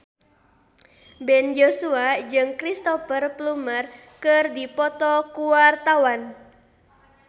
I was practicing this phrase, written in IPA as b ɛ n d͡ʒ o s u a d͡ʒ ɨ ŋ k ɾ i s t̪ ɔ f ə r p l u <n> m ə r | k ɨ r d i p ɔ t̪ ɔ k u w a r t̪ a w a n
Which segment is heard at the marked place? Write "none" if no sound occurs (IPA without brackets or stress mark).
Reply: none